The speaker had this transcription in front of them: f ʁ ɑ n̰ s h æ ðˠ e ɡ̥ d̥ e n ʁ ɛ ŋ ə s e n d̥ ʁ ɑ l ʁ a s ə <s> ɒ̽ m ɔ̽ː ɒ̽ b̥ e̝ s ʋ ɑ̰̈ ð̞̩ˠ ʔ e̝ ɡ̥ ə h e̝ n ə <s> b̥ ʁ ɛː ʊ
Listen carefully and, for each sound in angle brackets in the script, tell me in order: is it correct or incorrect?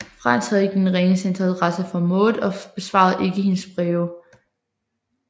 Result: incorrect: f, correct

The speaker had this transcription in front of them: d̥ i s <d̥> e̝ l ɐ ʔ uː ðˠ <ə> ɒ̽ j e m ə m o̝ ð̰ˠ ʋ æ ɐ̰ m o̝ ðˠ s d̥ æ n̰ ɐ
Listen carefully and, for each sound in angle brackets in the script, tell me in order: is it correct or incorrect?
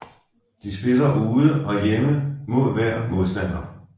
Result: incorrect: b̥, correct

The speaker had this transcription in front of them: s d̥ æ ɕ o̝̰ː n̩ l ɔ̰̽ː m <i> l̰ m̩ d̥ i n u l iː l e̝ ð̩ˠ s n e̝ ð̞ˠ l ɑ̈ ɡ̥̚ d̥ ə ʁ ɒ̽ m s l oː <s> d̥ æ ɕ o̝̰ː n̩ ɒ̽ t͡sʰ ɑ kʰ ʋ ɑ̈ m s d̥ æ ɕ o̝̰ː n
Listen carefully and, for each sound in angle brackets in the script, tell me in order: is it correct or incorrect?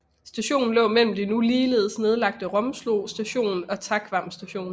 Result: incorrect: e, correct

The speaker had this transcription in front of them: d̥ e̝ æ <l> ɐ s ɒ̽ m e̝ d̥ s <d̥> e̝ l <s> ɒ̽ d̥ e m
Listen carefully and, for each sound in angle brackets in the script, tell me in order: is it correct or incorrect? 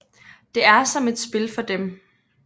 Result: incorrect: none, incorrect: b̥, incorrect: f

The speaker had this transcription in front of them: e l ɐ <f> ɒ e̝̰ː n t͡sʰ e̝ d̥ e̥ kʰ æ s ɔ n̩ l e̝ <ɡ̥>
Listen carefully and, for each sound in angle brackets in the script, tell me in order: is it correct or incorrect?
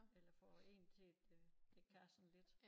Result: correct, incorrect: d̥

